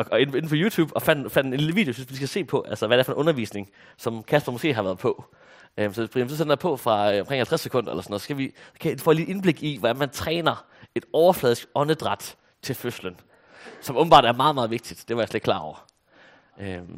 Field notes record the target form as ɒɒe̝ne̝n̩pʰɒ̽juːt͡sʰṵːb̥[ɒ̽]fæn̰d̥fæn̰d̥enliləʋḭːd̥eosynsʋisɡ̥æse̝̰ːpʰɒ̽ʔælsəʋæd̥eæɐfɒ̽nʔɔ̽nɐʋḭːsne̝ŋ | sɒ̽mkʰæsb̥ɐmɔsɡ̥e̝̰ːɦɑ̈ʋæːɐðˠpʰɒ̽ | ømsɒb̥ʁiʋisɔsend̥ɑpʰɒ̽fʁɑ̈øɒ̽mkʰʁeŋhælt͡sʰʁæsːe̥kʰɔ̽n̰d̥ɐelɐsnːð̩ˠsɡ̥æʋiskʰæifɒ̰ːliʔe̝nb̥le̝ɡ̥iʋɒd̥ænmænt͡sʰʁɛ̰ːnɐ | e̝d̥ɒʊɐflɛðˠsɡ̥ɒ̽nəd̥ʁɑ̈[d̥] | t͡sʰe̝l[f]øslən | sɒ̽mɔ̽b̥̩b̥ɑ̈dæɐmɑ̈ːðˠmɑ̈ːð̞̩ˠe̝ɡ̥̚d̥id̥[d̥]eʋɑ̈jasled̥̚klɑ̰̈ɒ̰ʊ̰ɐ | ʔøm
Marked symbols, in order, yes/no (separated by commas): yes, yes, yes, yes